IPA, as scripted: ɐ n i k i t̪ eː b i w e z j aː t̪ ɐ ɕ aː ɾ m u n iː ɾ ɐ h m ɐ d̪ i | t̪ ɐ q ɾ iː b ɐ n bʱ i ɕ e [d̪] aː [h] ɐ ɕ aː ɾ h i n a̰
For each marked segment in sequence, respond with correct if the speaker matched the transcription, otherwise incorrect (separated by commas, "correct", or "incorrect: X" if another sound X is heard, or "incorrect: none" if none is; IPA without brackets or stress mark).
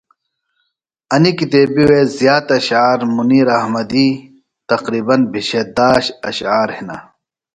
correct, incorrect: ɕ